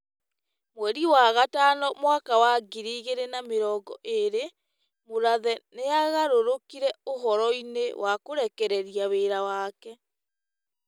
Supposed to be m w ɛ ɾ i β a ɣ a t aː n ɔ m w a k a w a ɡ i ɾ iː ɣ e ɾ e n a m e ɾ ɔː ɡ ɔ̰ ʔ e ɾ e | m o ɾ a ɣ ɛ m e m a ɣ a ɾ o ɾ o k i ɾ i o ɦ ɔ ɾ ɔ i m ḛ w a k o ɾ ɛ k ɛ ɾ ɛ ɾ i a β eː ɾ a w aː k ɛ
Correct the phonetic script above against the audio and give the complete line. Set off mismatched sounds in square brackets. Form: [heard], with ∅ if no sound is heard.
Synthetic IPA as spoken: m w ɛ ɾ i [w] a ɣ a t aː n ɔ m w a k a w a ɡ i ɾ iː ɣ e ɾ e n a m e ɾ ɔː ɡ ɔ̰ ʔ e ɾ e | m o ɾ a [ð] ɛ [n] e [∅] a ɣ a ɾ o ɾ o k i ɾ [ɛ] o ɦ ɔ ɾ ɔ i [n] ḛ w a k o ɾ ɛ k ɛ ɾ ɛ ɾ i a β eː ɾ a w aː k ɛ